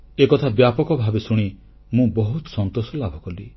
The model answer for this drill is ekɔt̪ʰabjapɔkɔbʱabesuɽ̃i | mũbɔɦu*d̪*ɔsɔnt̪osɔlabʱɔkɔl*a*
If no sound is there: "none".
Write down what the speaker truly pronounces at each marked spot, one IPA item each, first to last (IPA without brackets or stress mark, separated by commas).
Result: t̪, i